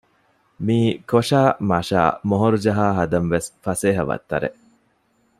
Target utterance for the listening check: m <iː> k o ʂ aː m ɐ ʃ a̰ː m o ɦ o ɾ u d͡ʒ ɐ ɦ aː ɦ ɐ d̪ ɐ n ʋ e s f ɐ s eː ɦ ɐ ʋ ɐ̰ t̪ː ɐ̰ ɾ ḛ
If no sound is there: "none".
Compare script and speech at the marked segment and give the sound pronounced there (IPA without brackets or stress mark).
iː